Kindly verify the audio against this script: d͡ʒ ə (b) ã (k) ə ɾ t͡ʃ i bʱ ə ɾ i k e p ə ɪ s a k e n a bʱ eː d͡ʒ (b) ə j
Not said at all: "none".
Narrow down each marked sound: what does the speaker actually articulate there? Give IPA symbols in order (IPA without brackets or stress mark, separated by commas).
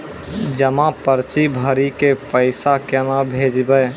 m, p, b